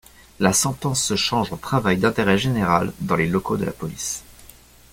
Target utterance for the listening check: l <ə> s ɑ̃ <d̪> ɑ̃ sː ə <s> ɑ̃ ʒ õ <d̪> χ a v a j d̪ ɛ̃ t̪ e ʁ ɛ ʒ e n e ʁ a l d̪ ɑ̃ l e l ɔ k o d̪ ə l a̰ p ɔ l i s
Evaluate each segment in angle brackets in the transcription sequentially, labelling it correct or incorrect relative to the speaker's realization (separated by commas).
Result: incorrect, incorrect, incorrect, incorrect